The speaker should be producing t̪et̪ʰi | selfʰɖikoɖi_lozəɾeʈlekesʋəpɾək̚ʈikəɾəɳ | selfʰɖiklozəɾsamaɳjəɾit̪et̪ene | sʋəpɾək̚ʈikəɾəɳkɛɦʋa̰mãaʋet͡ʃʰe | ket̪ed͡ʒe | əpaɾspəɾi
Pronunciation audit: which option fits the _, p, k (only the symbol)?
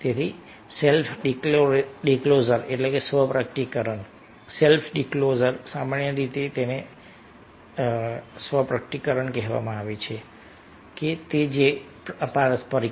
k